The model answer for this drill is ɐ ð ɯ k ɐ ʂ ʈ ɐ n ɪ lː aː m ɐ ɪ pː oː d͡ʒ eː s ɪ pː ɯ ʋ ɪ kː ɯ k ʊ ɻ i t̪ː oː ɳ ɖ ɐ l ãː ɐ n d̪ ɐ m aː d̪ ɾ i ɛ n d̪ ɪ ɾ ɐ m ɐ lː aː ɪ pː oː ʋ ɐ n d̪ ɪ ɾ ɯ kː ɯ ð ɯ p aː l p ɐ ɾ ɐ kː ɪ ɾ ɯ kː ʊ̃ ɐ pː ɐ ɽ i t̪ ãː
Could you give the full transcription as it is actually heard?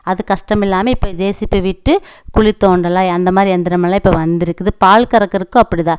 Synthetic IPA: ɐ ð ɯ k ɐ ʂ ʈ ɐ m ɪ lː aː m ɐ ɪ pː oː d͡ʒ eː s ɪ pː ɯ ʋ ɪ ʈː ɯ k ʊ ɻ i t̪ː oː ɳ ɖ ɐ l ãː ɐ n d̪ ɐ m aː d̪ ɾ i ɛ n d̪ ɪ ɾ ɐ m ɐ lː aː ɪ pː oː ʋ ɐ n d̪ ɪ ɾ ɯ kː ɯ ð ɯ p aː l k ɐ ɾ ɐ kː ɪ ɾ ɯ kː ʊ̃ ɐ pː ɐ ɽ i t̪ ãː